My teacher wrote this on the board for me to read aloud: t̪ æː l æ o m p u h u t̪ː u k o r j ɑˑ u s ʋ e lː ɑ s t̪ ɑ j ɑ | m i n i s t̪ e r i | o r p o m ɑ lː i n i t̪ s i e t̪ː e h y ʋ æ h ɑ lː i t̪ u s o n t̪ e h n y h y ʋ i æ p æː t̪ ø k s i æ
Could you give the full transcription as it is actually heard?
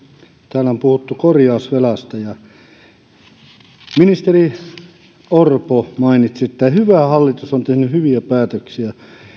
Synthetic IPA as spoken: t̪ æː l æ o m p u h u t̪ː u k o r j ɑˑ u s ʋ e l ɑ s t̪ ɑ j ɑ | m i n i s t̪ e r i | o r p o m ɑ i n i t̪ s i e t̪ː æ h y ʋ æ h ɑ lː i t̪ u s o n t̪ e h n y h y ʋ i æ p æː t̪ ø k s i æ